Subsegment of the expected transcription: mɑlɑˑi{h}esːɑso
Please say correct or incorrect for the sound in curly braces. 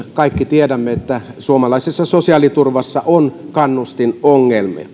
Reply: incorrect: s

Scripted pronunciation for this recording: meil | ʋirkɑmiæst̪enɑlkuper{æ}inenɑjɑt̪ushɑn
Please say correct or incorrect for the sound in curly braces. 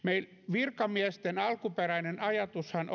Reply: correct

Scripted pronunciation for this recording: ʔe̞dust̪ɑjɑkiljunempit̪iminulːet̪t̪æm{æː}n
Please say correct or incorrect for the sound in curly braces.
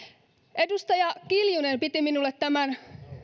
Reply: incorrect: æ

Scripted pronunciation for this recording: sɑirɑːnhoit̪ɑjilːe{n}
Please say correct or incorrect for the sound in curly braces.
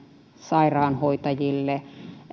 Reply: incorrect: none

